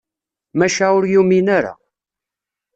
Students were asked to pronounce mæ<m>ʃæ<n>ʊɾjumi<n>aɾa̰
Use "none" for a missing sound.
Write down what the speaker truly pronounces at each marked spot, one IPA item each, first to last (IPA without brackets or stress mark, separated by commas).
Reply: none, none, n